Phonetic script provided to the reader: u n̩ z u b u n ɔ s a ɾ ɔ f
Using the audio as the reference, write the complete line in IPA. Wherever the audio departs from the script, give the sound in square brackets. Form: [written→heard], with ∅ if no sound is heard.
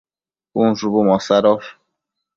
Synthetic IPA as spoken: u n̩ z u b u [n→m] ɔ s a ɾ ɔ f